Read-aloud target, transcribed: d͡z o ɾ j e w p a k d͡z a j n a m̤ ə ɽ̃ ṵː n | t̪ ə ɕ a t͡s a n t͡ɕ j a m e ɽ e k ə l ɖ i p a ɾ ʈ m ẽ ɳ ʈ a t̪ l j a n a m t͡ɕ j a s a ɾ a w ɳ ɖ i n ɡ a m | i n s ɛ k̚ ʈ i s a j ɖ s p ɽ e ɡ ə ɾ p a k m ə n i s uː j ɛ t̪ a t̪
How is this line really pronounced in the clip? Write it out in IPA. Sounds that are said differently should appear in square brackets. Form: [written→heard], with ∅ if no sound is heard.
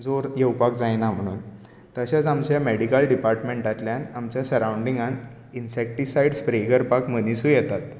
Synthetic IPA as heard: d͡z o ɾ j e w p a k d͡z a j n a m̤ ə ɽ̃ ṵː n | t̪ ə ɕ a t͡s a [n→m] t͡ɕ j a m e ɽ [e→i] k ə l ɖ i p a ɾ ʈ m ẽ ɳ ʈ a t̪ l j a n a m t͡ɕ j a s [a→ə] ɾ a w ɳ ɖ i [n→ŋ] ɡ a [m→n] | i n s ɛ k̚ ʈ i s a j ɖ s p [ɽ→ɾ] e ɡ ə ɾ p a k m ə n i s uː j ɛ t̪ a t̪